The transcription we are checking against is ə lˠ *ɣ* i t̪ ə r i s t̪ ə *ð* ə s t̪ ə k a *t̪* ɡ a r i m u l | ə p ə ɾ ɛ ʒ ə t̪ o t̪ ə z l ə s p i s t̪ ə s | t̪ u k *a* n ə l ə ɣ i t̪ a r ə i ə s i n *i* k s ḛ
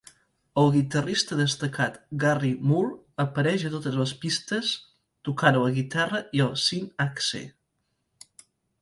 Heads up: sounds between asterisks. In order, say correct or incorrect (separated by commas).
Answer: correct, correct, correct, correct, incorrect